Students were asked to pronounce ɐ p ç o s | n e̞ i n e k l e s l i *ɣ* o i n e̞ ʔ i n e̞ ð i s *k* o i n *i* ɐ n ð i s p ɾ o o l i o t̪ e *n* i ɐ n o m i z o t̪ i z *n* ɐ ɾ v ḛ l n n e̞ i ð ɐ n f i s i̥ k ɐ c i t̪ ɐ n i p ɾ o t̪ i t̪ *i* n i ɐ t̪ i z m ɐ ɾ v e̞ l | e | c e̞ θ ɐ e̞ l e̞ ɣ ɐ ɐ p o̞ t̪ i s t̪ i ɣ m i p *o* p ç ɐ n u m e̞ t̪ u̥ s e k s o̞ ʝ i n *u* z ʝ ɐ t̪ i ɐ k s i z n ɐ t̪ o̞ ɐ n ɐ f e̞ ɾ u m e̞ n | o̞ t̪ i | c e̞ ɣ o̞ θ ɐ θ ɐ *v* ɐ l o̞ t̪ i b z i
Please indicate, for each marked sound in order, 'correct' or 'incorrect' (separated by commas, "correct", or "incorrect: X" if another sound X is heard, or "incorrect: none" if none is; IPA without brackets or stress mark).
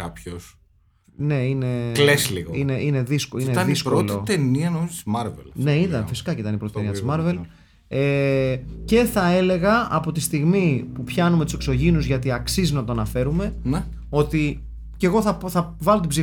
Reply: correct, correct, incorrect: e, correct, incorrect: m, incorrect: e, incorrect: u, correct, correct